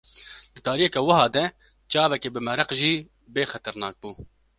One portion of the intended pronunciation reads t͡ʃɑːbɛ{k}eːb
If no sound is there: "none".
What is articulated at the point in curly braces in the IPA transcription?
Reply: k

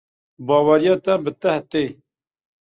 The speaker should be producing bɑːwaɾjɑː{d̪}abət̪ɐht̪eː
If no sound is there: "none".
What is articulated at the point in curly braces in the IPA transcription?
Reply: t̪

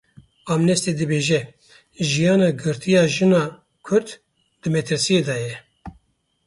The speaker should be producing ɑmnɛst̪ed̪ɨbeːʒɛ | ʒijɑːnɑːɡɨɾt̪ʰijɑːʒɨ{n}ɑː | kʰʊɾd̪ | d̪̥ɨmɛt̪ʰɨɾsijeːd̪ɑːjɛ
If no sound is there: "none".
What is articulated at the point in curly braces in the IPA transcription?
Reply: n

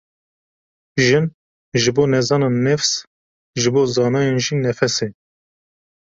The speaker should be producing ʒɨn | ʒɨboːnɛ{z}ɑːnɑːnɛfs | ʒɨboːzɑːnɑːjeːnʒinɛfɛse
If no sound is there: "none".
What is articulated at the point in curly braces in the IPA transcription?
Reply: z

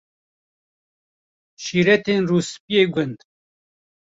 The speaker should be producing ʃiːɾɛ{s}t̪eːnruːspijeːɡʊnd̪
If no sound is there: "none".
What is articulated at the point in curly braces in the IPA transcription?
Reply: none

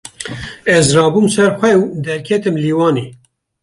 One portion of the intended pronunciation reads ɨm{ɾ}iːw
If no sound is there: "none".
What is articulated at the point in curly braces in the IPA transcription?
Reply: l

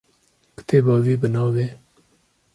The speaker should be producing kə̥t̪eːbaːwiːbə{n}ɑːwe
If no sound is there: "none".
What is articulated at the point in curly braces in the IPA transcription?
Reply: n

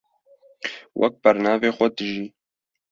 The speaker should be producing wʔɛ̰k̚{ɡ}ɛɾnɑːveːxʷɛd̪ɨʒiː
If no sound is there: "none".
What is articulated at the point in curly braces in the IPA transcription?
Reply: b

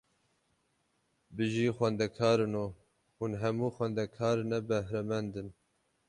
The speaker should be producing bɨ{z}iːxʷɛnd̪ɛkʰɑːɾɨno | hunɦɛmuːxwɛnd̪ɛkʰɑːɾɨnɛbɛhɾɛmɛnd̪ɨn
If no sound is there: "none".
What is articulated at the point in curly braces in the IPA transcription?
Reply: ʒ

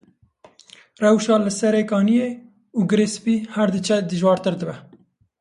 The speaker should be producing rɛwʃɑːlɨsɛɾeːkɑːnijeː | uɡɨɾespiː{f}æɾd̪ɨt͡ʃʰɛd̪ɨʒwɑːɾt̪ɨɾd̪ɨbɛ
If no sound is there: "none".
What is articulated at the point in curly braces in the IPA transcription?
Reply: h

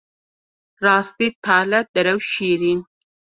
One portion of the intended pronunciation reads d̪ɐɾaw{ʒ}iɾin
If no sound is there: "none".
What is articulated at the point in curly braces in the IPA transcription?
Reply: ʃ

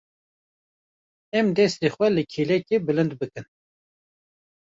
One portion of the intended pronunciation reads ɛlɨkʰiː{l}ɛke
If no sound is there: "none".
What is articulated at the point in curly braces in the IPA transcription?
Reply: l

